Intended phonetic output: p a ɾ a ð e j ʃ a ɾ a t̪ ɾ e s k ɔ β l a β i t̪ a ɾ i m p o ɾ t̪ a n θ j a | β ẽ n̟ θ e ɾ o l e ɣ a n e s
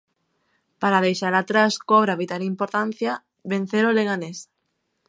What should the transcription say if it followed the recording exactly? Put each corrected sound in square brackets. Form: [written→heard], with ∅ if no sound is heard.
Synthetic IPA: p a ɾ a ð e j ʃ a ɾ a t̪ ɾ [e→a] s k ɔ β [l→ɾ] a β i t̪ a ɾ i m p o ɾ t̪ a n θ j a | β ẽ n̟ θ e ɾ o l e ɣ a n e s